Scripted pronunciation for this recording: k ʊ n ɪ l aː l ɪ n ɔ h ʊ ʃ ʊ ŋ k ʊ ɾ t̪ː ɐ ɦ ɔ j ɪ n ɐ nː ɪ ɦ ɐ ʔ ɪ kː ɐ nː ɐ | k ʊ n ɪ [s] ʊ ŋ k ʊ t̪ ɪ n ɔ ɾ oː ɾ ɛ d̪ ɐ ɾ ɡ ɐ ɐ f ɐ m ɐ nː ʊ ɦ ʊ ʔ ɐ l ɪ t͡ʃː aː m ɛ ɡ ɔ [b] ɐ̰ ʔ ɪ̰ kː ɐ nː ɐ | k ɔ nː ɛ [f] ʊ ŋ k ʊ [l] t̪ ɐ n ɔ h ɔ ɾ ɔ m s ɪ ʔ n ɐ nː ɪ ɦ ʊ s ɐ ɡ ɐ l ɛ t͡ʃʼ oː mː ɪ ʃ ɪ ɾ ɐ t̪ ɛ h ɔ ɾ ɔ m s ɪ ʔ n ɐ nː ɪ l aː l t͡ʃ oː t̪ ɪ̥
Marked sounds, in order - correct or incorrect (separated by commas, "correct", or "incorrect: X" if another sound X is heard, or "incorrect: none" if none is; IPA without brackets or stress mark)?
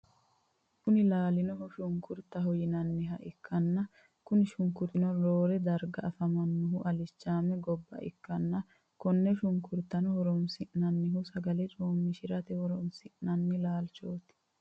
incorrect: ʃ, incorrect: bː, incorrect: ʃ, incorrect: ɾ